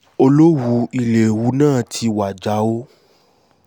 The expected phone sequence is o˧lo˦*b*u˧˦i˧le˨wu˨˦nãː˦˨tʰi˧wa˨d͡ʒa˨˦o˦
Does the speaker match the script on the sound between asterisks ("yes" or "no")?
no